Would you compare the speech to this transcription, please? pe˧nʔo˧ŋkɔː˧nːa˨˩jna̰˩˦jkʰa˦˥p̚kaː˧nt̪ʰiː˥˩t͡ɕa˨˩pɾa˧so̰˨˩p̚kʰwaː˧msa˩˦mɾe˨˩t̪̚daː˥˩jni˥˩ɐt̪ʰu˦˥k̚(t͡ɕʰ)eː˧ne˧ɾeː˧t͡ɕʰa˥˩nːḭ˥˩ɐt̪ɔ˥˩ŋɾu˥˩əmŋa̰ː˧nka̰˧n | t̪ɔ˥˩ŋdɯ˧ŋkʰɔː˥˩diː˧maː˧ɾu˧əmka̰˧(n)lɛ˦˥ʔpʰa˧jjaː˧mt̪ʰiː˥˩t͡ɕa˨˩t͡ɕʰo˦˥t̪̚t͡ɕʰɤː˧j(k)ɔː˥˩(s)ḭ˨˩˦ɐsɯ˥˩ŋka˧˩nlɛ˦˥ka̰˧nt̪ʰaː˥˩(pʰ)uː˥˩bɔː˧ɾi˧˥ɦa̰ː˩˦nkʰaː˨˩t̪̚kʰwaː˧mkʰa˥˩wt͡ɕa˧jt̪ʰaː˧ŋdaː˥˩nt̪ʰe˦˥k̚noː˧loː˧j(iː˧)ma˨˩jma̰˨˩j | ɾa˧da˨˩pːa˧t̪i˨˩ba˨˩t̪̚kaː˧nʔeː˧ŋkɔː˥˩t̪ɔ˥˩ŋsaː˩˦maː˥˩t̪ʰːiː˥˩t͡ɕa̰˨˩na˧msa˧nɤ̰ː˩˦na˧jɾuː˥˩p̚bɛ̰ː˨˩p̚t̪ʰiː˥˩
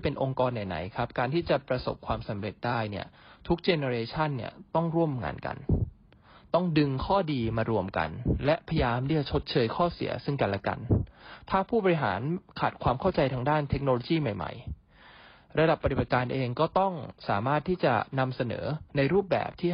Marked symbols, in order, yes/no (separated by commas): no, yes, no, yes, yes, no